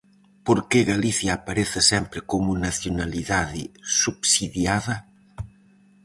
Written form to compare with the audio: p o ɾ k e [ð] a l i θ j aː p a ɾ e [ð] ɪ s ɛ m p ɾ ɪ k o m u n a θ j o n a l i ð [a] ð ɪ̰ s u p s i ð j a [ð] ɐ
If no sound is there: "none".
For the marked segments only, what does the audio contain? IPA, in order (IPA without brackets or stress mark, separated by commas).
ɣ, θ, a, ð